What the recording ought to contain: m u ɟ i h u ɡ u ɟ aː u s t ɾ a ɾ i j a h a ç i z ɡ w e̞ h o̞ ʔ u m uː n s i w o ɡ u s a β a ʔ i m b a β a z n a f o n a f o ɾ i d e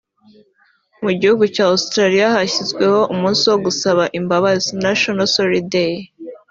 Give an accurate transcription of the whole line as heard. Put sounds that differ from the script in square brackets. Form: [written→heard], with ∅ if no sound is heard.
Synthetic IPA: m u ɟ i h u ɡ u [ɟ→c] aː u s t ɾ a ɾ i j a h a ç i z ɡ w e̞ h o̞ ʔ u m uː n s i w o ɡ u s a β a ʔ i m b a β a z n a [f→ʃ] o n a [f→s] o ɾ i d e